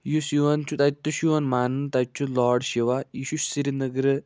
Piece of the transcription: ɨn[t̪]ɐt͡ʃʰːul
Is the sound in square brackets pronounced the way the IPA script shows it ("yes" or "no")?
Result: yes